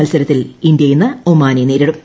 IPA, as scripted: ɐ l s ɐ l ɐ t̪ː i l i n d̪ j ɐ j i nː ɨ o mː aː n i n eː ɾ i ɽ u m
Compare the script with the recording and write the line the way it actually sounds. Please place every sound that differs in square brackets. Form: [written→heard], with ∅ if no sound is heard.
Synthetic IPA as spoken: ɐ l s ɐ [l→ɾ] ɐ t̪ː i l i n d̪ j ɐ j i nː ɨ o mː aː n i n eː ɾ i ɽ u m